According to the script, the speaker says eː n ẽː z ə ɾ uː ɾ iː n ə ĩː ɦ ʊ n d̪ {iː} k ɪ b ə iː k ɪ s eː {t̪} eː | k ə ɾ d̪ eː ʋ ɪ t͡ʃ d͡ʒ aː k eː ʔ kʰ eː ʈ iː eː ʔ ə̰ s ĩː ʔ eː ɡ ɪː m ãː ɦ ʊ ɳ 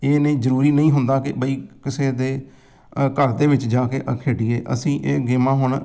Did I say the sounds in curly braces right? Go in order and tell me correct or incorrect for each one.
incorrect, incorrect

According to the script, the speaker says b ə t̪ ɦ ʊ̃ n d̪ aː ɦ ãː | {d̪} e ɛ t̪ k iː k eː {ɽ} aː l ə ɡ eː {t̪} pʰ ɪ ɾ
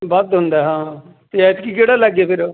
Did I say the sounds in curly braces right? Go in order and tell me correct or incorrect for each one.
incorrect, correct, incorrect

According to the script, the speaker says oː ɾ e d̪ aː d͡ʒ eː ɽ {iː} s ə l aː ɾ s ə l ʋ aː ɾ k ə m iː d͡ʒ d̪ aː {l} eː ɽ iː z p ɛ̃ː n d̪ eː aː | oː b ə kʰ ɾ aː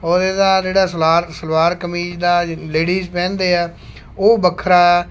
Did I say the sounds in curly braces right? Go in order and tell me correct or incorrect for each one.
incorrect, correct

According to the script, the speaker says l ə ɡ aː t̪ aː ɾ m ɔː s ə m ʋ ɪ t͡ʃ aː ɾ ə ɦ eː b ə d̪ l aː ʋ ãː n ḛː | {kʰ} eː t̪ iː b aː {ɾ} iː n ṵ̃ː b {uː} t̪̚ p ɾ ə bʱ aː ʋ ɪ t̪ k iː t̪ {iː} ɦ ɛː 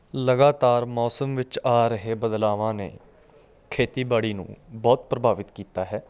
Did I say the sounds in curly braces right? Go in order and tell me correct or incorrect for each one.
correct, incorrect, incorrect, incorrect

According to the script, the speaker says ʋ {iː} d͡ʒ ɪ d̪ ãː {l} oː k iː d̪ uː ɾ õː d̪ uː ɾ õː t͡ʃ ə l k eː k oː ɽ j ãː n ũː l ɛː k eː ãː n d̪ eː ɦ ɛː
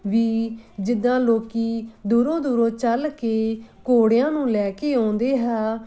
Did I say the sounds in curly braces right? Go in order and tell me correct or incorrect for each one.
correct, correct

